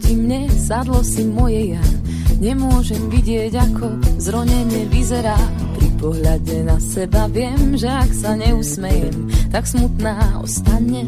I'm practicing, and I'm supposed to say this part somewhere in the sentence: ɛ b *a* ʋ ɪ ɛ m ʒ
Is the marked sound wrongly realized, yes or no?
no